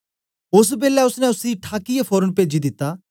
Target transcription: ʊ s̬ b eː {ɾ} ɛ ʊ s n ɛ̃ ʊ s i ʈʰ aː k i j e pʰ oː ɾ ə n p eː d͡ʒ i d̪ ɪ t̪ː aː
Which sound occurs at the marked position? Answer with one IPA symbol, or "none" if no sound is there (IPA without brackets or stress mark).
l